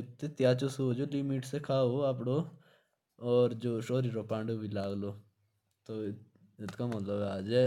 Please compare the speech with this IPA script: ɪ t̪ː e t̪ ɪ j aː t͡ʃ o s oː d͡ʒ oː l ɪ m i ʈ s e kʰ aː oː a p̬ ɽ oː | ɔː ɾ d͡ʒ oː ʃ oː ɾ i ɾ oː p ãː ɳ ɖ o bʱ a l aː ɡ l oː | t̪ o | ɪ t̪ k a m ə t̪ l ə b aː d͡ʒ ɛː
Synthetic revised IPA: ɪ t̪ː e t̪ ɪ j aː t͡ʃ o s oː d͡ʒ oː l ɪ m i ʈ s e kʰ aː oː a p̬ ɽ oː | ɔː ɾ d͡ʒ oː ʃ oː ɾ i ɾ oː p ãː ɳ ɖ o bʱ i l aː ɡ l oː | t̪ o | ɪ t̪ k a m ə t̪ l ə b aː d͡ʒ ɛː